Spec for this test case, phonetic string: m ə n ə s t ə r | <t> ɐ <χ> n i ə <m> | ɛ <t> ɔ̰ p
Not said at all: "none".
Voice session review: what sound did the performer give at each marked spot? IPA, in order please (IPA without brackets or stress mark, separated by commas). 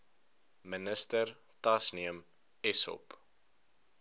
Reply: t, s, m, s